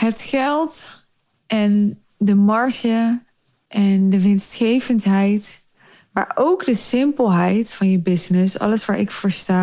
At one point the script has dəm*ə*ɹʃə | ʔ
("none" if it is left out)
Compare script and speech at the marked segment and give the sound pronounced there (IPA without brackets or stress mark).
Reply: ɑ